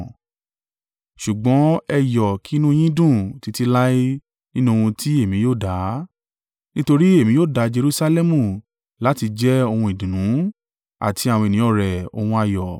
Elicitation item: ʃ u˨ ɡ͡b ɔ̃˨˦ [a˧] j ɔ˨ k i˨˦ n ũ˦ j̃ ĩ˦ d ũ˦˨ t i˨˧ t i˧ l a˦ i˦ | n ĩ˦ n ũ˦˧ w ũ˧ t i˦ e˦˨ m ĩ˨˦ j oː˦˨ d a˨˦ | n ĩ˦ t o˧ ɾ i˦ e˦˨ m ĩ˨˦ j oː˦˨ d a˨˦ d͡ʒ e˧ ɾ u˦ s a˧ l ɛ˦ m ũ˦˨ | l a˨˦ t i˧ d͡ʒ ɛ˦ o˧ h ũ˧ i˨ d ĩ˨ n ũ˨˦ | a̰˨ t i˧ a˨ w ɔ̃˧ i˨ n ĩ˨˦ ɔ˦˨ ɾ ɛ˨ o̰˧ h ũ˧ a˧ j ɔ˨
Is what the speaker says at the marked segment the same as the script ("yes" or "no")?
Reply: no